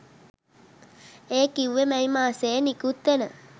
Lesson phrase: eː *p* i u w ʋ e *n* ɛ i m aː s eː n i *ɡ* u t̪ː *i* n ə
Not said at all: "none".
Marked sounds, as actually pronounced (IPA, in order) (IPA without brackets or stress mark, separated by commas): k, m, k, e